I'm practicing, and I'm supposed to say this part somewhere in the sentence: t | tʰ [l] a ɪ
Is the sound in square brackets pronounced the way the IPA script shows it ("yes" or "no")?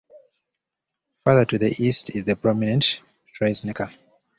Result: no